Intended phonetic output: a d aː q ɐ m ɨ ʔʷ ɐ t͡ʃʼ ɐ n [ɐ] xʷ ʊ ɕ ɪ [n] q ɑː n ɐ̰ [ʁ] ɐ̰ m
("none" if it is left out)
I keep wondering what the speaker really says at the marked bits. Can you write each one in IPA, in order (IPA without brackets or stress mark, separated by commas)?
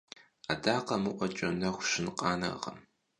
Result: ɐ, n, ʁ